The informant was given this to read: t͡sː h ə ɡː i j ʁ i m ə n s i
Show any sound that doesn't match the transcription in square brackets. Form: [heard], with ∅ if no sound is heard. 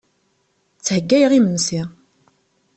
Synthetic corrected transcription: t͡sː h ə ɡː [æ] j ʁ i m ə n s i